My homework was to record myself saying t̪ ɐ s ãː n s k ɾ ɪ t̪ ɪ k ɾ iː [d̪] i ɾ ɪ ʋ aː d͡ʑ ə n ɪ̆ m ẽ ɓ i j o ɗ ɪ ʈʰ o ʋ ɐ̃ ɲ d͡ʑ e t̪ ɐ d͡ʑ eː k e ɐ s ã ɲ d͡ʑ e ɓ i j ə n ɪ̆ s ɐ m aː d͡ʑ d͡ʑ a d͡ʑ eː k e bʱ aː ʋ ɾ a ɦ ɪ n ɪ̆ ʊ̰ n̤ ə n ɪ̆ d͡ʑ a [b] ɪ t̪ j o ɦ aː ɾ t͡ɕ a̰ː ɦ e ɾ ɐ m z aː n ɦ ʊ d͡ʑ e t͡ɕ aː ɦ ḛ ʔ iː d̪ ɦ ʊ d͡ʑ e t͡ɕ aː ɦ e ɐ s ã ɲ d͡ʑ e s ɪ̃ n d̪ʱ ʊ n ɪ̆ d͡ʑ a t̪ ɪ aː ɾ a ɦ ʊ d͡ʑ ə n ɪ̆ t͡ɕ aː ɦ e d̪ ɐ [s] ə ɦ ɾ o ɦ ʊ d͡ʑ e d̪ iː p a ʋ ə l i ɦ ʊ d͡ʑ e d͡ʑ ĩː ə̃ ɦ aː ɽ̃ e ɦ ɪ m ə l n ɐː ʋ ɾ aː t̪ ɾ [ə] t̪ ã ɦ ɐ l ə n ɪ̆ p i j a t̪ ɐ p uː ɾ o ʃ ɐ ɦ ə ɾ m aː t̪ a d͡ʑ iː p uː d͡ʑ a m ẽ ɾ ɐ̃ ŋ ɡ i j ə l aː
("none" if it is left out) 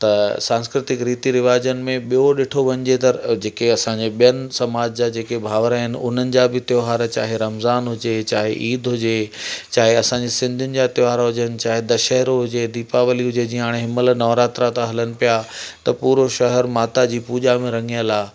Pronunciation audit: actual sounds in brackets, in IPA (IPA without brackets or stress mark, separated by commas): t̪, b, ʃ, a